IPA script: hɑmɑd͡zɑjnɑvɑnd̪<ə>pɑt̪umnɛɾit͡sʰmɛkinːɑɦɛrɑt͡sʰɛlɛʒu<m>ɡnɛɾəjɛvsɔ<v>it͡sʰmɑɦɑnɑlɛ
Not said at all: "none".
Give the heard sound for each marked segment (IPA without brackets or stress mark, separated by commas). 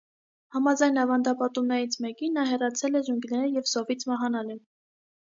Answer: ɑ, ŋ, v